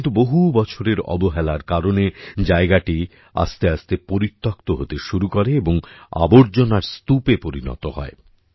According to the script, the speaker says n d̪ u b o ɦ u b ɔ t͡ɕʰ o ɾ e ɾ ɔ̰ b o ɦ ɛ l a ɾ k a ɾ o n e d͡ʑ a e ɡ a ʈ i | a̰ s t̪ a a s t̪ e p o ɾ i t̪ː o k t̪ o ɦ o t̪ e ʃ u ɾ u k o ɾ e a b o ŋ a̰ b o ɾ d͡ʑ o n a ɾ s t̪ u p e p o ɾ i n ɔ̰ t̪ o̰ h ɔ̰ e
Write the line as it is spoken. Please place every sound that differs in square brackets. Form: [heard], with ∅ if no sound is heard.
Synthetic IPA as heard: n [t̪] u b o ɦ u b ɔ t͡ɕʰ o ɾ e ɾ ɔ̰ b o ɦ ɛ l a ɾ k a ɾ o n e d͡ʑ a e ɡ a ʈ i | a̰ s t̪ [e] a s t̪ e p o ɾ i t̪ː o k t̪ o ɦ o t̪ e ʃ u ɾ u k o ɾ e [e] b o ŋ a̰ b o ɾ d͡ʑ o n a ɾ s t̪ u p e p o ɾ i n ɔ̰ t̪ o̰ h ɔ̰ e